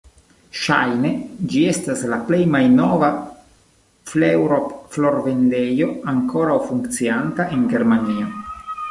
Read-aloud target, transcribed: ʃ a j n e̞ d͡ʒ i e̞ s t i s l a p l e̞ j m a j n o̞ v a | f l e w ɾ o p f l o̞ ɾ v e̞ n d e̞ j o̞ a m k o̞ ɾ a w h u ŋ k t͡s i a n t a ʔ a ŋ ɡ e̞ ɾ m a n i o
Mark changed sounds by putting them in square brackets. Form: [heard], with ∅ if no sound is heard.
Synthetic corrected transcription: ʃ a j n e̞ d͡ʒ i e̞ s t [a] s l a p l e̞ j m a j n o̞ v a | f l e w ɾ o p f l o̞ ɾ v e̞ n d e̞ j o̞ a [ŋ] k o̞ ɾ a w [f] u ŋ k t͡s i a n t a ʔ [e] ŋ ɡ e̞ ɾ m a n i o